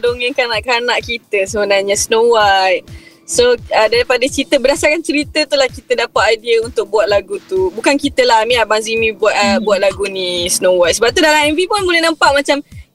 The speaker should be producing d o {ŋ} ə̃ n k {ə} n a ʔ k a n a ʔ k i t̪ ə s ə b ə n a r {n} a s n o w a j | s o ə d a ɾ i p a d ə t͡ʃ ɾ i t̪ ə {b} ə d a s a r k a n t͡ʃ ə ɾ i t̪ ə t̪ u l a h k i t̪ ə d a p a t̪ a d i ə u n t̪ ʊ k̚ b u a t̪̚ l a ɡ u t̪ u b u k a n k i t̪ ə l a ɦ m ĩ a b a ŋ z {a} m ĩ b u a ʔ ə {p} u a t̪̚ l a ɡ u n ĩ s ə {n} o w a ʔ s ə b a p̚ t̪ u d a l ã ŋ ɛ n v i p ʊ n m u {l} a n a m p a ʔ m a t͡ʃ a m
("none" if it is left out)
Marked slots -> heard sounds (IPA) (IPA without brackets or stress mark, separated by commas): ŋ, a, ɲ, b, i, b, n, l